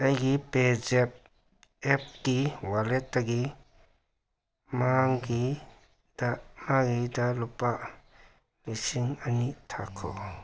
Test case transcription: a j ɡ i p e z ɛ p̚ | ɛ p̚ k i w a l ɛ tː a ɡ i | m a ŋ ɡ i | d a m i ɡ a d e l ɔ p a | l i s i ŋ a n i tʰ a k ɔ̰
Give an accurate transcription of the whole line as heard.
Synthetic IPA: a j ɡ i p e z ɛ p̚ | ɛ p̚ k i w a l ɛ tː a ɡ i | m a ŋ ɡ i | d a m a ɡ i d a l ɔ p a | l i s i ŋ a n i tʰ a kʰ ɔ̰